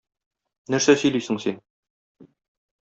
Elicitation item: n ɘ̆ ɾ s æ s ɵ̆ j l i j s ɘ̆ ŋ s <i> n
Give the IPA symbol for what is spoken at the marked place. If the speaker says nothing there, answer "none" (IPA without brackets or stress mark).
i